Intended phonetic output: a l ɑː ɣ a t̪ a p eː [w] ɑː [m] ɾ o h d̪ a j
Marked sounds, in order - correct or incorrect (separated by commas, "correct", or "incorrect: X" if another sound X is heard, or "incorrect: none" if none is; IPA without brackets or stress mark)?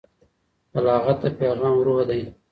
incorrect: ɣ, correct